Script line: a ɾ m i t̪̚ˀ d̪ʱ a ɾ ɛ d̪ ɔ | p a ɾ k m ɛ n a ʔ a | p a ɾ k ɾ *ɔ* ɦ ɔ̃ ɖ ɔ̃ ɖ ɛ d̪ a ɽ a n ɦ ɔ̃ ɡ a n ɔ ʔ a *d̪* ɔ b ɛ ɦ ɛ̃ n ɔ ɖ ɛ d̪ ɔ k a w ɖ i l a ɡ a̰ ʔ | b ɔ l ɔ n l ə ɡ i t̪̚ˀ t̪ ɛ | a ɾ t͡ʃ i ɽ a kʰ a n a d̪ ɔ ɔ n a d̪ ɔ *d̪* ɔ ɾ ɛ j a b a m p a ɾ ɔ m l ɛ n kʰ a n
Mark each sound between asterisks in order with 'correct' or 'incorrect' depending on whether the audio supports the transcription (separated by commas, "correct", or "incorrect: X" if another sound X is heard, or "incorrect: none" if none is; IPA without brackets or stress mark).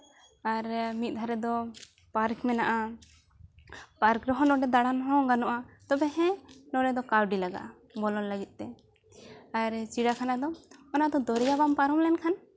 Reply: correct, incorrect: t̪, correct